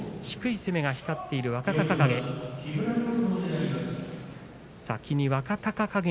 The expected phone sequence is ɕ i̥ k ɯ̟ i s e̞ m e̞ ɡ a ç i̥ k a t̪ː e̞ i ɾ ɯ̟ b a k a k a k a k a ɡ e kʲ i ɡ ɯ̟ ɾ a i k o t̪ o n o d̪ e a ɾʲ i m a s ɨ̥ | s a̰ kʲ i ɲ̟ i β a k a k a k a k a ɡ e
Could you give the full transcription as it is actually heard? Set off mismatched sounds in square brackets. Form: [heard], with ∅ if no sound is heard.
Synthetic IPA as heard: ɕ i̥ k ɯ̟ i s e̞ m e̞ ɡ a ç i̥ k a t̪ː e̞ i ɾ ɯ̟ [β] a k a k a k a k a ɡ e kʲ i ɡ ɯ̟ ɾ a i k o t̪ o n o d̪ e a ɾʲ i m a s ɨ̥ | s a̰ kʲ i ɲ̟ i β a k a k a k a k a ɡ e